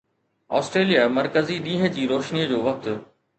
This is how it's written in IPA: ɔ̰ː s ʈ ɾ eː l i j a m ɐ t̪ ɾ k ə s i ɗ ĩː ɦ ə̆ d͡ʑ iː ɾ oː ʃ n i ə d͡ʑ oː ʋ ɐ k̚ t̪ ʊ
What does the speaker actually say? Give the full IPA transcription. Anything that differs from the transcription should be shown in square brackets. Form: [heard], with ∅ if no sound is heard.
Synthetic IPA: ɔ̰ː s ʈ ɾ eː l i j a m ɐ [∅] ɾ k ə [z] i ɗ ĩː ɦ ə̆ d͡ʑ iː ɾ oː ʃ n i ə d͡ʑ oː ʋ ɐ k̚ t̪ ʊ